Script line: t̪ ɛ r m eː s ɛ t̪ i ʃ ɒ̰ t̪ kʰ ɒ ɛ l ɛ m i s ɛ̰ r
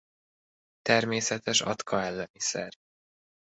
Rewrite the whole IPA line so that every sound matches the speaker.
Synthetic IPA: t̪ ɛ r m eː s ɛ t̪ ɛ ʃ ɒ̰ t̪ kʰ ɒ ɛ lː ɛ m i s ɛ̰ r